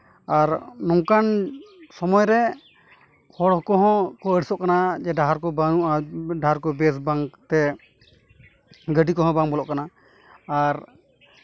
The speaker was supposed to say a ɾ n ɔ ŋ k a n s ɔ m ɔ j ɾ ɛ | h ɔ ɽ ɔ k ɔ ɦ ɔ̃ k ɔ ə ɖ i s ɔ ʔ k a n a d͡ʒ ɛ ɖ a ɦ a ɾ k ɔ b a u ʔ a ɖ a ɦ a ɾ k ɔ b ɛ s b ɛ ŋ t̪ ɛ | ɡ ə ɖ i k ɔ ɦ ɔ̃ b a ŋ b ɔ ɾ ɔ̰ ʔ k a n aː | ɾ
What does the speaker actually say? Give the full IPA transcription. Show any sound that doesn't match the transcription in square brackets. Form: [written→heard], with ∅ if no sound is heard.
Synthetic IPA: a ɾ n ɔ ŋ k a n s ɔ m ɔ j ɾ ɛ | h ɔ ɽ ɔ k ɔ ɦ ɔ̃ k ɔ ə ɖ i s ɔ ʔ k a n a d͡ʒ ɛ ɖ a ɦ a ɾ k ɔ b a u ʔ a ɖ a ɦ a ɾ k ɔ b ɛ s b [ɛ→a] ŋ t̪ ɛ | ɡ ə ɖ i k ɔ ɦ ɔ̃ b a ŋ b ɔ [ɾ→l] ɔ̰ ʔ k a n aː | ɾ